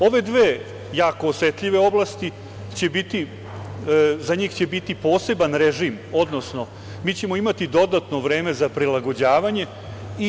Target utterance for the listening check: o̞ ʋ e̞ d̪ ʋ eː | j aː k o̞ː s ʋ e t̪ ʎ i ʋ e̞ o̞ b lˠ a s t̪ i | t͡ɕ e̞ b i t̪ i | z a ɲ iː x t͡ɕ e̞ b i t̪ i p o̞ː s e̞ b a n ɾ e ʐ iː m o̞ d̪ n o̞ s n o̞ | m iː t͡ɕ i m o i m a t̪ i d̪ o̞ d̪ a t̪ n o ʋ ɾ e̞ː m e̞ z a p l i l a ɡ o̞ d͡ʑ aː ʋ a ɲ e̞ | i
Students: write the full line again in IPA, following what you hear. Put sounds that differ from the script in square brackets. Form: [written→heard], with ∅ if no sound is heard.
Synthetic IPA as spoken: o̞ ʋ e̞ d̪ ʋ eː | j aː k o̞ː s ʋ e t̪ ʎ i ʋ e̞ o̞ b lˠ a s t̪ i | t͡ɕ e̞ b i t̪ i | z a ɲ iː x t͡ɕ e̞ b i t̪ i p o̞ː s e̞ b a n ɾ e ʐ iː m o̞ d̪ n o̞ s n o̞ | m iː t͡ɕ [i→e] m o i m a t̪ i d̪ o̞ d̪ a t̪ n o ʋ ɾ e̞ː m e̞ z a p [l→ɾ] i l a ɡ o̞ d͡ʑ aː ʋ a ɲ e̞ | i

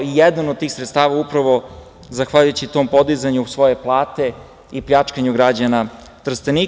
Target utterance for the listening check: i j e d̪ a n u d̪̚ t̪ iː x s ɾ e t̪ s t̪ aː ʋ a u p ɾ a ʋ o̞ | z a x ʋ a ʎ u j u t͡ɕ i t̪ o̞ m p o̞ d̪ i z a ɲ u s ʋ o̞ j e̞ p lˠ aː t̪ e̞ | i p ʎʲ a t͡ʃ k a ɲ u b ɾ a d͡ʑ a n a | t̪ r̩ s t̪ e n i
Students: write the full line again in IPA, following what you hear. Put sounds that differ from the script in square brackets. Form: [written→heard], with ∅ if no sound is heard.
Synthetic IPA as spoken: i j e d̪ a n [u→o] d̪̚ t̪ iː x s ɾ e t̪ s t̪ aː ʋ a u p ɾ a ʋ o̞ | z a x ʋ a ʎ u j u t͡ɕ i t̪ o̞ m p o̞ d̪ i z a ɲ u s ʋ o̞ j e̞ p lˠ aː t̪ e̞ | i p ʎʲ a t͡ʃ k a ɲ u [b→ɡ] ɾ a d͡ʑ a n a | t̪ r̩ s t̪ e n i

